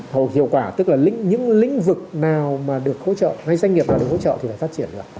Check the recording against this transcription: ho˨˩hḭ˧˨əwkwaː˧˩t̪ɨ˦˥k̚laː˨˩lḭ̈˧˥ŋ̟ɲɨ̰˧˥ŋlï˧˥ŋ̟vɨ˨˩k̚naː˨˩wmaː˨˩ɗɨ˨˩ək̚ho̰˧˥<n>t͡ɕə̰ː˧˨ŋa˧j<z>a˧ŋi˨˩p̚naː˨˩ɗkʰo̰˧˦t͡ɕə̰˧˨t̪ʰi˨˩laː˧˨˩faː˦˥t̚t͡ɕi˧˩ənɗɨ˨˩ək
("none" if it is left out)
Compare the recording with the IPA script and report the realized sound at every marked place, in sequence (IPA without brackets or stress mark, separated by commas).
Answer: none, z